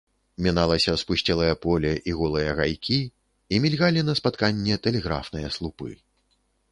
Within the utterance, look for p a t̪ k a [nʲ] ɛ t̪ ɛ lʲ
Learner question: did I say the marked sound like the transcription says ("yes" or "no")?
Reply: no